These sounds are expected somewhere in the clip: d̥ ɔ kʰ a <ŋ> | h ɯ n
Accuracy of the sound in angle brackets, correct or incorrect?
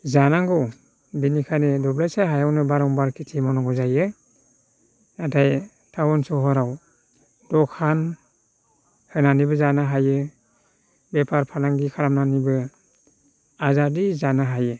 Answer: incorrect: n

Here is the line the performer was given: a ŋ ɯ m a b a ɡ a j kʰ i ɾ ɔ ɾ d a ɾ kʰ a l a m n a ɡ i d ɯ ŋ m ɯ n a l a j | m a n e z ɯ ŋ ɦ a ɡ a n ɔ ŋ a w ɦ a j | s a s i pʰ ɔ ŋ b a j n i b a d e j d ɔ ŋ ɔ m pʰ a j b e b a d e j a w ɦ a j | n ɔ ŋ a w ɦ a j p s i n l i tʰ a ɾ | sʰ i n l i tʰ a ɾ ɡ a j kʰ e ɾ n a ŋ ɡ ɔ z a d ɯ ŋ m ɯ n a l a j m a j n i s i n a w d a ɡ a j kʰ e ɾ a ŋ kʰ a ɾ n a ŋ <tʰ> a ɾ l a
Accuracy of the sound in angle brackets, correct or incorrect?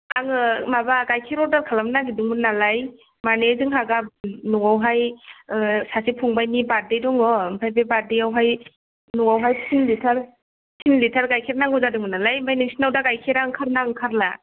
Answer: incorrect: kʰ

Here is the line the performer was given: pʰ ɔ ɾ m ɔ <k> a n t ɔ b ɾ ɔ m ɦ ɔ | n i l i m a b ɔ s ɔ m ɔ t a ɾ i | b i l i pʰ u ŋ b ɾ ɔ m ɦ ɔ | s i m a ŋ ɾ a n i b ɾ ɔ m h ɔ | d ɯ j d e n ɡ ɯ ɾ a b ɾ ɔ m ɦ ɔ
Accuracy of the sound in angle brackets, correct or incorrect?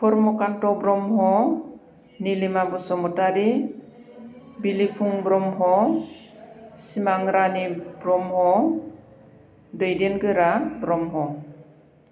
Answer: correct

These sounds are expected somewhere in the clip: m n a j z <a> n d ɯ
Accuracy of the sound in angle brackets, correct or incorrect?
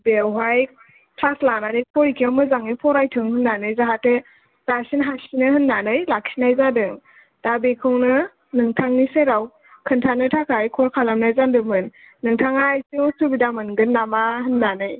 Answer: correct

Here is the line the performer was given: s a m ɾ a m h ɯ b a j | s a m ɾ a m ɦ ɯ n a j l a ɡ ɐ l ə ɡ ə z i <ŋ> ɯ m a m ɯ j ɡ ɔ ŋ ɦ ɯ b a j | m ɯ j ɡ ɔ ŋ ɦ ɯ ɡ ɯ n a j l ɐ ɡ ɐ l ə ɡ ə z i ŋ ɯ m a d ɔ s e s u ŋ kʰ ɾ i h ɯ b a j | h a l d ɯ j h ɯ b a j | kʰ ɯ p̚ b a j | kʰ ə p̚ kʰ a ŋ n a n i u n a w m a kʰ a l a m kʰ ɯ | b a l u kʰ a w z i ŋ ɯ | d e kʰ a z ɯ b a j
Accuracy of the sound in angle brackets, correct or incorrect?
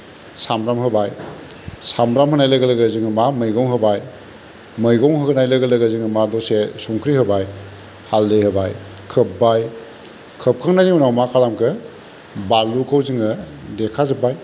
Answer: correct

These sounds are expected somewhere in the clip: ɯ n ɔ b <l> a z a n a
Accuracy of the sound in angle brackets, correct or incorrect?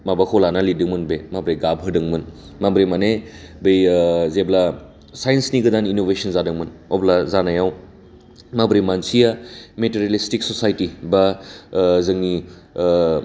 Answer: correct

